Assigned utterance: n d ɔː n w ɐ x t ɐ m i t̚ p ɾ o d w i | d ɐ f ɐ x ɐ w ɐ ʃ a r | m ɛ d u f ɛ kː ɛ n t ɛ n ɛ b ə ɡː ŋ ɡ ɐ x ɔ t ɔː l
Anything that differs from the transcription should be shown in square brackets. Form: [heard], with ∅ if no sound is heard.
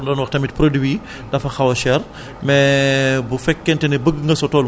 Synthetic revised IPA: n d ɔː n w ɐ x t ɐ m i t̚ p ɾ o d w i | d ɐ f ɐ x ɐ w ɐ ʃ [ɛ] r | m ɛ [b] u f ɛ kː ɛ n t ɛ n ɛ b ə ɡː ŋ ɡ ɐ [s] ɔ t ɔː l